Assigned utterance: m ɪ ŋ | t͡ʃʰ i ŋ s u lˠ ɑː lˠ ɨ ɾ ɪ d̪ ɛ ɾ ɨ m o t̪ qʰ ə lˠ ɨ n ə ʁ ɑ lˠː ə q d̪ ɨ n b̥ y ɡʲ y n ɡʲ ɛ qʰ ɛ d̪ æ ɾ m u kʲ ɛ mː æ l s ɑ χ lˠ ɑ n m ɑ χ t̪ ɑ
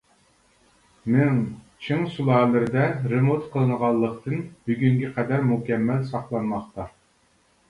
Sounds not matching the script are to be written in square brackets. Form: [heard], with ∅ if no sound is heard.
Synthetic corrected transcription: m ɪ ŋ | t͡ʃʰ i ŋ s u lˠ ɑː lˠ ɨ ɾ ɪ d̪ ɛ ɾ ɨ m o t̪ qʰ ə lˠ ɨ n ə ʁ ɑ lˠː ə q [t̪] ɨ n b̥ y ɡʲ y [ŋ] ɡʲ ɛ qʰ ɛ d̪ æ ɾ m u kʲ ɛ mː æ l s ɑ χ lˠ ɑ n m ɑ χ t̪ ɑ